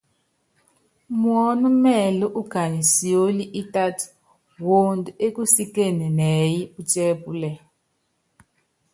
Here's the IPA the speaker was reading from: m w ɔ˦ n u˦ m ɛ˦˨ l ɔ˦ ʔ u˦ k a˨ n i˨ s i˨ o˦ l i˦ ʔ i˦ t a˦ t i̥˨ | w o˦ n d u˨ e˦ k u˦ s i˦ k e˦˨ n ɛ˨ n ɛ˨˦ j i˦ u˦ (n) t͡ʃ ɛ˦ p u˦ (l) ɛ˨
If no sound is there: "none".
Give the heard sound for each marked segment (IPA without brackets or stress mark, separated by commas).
none, l